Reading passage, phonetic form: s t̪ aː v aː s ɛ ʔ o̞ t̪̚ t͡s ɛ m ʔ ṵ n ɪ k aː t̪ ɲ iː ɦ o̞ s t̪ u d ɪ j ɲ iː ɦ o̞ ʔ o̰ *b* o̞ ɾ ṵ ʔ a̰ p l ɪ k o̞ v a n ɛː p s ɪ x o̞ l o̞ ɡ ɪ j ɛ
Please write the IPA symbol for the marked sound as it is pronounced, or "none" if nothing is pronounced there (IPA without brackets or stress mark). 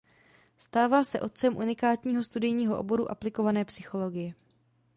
b